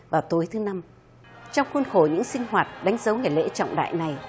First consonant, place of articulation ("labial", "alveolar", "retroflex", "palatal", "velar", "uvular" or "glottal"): labial